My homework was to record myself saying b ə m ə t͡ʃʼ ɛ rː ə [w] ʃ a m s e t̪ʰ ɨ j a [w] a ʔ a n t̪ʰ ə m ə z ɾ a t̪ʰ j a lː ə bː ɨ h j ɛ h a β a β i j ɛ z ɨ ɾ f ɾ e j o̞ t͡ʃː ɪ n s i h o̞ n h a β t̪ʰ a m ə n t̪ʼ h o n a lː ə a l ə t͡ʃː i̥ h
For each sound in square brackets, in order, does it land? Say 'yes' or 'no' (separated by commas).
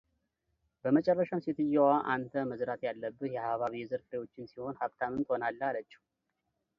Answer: no, yes